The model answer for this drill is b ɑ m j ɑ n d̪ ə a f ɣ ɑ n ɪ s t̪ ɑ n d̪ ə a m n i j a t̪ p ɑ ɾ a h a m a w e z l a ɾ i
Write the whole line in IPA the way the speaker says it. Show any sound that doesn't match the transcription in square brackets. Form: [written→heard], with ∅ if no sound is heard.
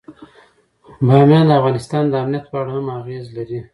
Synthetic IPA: b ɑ m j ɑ n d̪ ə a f ɣ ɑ n ɪ s t̪ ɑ n d̪ ə a m n i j a t̪ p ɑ [ɾ→ɽ] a h a m a [w→ɣ] e z l a ɾ i